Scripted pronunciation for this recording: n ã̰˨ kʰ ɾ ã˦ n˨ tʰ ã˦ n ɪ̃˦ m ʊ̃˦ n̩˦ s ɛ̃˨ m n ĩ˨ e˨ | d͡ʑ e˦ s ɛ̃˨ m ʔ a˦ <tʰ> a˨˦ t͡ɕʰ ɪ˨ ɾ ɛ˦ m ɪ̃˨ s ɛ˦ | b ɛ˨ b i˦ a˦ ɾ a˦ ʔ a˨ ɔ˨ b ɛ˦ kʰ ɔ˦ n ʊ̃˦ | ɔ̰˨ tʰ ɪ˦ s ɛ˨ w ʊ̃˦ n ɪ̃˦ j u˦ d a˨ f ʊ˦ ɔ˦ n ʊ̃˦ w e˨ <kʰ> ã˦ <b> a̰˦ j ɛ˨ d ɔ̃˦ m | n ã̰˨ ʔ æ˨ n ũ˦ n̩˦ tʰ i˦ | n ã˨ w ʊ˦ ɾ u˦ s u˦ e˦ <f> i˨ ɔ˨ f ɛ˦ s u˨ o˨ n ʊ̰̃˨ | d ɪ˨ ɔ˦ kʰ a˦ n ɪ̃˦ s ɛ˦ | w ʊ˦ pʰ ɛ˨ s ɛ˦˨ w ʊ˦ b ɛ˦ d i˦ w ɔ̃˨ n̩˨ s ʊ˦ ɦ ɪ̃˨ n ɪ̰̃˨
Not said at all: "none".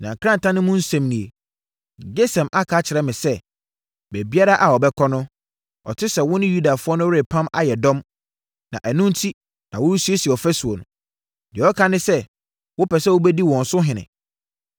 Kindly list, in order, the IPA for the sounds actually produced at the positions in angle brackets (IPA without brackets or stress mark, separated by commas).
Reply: kʰ, pʰ, m, s